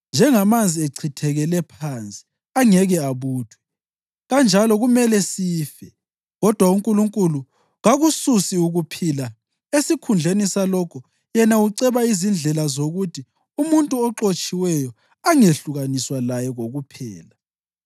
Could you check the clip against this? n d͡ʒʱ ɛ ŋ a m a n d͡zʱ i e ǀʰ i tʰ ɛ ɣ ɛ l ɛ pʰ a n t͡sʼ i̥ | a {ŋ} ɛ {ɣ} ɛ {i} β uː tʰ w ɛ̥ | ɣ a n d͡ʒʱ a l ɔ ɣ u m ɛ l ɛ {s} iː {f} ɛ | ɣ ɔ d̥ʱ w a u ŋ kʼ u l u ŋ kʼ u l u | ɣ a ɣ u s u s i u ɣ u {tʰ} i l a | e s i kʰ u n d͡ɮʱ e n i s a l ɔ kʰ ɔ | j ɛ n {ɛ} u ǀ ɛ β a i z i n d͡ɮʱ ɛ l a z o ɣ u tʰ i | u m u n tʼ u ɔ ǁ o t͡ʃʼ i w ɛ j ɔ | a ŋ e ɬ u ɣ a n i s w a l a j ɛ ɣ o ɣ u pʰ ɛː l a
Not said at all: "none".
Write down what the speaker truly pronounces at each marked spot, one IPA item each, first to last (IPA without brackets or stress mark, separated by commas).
ŋ, ɣ, a, s, f, pʰ, a